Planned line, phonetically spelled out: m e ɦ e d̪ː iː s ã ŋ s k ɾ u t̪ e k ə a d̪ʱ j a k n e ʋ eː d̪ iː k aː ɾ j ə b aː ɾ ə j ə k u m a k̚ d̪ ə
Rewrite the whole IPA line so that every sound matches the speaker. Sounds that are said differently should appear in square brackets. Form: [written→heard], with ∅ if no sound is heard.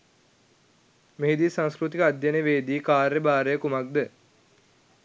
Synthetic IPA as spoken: m e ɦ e [d̪ː→d̪] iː s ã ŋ s k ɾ u t̪ [e→i] k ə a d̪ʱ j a [k→∅] n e ʋ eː d̪ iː k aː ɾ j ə b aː ɾ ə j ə k u m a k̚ d̪ ə